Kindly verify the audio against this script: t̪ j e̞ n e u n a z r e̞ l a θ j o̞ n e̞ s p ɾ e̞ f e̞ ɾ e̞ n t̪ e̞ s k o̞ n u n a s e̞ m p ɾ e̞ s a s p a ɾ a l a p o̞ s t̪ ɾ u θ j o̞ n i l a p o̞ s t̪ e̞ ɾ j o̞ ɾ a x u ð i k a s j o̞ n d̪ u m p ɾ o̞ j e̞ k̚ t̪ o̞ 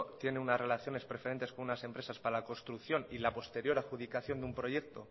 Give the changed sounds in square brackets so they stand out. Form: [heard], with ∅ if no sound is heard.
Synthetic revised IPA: t̪ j e̞ n e u n a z r e̞ l a θ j o̞ n e̞ s p ɾ e̞ f e̞ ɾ e̞ n t̪ e̞ s k o̞ n u n a s e̞ m p ɾ e̞ s a s p a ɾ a l a [k] o̞ s t̪ ɾ u θ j o̞ n i l a p o̞ s t̪ e̞ ɾ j o̞ ɾ a x u ð i k a [θ] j o̞ n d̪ u m p ɾ o̞ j e̞ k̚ t̪ o̞